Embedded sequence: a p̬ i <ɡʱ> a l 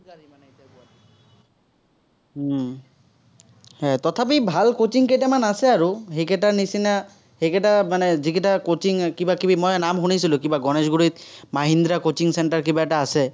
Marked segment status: incorrect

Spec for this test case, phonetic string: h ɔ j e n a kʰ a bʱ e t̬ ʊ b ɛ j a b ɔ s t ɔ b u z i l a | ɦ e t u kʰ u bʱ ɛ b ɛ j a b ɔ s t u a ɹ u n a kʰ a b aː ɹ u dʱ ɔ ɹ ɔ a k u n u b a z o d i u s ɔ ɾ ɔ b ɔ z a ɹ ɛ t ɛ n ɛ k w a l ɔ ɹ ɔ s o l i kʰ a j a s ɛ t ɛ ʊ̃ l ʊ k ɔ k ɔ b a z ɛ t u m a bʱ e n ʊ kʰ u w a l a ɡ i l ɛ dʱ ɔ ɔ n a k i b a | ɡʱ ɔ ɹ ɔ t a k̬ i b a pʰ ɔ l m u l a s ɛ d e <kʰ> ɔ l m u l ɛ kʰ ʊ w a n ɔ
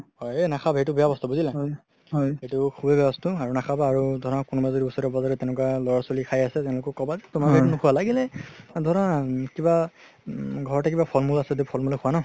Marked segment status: incorrect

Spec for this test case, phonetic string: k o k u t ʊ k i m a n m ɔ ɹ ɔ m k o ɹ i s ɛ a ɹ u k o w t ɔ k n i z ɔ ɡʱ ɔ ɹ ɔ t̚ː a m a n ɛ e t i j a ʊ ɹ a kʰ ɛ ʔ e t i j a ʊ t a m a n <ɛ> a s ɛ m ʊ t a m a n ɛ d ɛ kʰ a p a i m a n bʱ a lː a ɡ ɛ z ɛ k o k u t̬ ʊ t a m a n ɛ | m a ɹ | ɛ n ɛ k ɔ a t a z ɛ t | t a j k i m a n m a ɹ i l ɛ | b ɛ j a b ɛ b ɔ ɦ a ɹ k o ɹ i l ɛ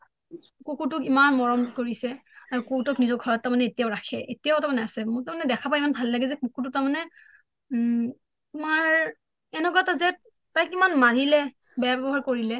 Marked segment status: correct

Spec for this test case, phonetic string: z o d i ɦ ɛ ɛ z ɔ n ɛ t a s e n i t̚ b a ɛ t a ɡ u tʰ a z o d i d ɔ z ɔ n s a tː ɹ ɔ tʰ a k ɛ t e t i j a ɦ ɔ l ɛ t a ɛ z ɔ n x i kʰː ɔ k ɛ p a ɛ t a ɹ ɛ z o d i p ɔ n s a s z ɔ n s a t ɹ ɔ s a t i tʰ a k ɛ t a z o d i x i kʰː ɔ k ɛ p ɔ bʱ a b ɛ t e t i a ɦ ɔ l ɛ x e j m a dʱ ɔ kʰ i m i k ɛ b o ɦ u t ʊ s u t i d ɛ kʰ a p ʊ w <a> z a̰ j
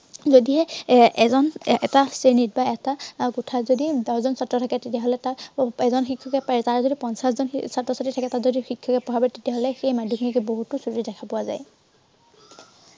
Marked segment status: correct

